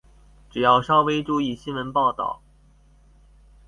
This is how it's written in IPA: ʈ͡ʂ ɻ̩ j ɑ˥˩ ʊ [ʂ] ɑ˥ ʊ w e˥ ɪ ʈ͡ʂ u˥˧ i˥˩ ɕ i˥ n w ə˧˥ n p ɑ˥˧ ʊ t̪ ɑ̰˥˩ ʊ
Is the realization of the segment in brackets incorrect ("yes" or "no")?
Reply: no